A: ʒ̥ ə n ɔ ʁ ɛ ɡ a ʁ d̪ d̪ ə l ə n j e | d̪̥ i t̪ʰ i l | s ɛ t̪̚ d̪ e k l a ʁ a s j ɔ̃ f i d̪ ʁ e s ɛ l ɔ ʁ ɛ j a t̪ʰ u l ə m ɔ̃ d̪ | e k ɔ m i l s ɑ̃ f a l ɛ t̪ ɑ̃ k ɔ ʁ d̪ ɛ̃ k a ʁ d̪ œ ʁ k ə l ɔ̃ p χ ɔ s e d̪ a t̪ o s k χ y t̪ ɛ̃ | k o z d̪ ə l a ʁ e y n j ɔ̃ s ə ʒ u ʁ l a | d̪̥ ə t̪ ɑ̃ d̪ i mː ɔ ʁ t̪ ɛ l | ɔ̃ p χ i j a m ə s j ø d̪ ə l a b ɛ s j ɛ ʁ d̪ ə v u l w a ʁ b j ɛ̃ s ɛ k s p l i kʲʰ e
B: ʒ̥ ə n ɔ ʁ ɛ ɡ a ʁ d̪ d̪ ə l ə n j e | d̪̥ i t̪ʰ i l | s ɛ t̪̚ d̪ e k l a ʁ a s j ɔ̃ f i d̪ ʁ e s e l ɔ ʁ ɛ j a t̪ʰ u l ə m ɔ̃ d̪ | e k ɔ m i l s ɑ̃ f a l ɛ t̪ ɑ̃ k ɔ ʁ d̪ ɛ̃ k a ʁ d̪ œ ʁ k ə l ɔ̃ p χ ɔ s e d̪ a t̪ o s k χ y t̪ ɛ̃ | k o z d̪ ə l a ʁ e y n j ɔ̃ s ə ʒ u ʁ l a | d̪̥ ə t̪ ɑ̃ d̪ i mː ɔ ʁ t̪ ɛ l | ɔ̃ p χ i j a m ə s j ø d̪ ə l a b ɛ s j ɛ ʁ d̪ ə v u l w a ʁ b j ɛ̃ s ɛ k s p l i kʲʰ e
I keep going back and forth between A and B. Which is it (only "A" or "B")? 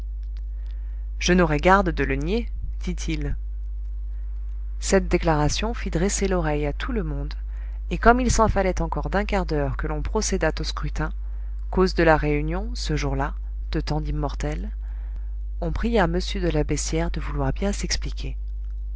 B